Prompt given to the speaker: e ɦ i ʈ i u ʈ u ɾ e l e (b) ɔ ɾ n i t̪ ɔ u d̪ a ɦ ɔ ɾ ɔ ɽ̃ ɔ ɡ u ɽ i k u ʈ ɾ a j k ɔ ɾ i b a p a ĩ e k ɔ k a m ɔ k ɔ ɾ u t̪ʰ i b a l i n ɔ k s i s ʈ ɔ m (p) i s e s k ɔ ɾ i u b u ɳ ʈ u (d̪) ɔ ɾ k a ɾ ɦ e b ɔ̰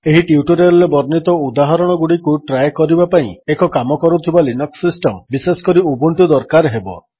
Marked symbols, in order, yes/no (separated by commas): yes, no, yes